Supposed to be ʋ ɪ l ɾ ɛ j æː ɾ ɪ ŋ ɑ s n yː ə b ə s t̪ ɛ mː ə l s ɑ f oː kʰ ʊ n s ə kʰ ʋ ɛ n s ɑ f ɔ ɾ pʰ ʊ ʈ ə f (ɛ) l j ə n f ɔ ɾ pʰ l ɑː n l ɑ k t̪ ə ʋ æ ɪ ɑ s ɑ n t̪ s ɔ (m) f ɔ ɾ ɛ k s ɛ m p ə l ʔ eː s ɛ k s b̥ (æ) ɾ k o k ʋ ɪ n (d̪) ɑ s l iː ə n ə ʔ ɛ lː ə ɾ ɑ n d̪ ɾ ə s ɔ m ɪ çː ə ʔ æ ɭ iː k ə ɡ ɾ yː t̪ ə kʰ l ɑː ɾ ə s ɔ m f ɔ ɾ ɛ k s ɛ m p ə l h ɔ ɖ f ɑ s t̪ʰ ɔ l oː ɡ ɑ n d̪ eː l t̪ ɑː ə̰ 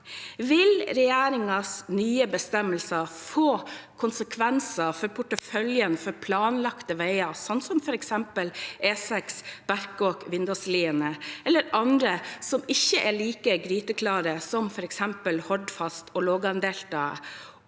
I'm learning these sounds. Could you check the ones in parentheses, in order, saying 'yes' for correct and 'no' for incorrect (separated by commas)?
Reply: no, yes, yes, yes